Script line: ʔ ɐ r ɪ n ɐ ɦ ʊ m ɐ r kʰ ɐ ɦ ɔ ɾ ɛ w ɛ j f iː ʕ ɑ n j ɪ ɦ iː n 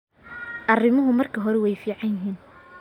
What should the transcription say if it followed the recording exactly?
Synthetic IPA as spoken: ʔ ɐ r ɪ m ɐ ɦ ʊ m ɐ r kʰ ɐ ɦ ɔ ɾ ɛ w ɛ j f iː ʕ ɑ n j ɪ ɦ iː n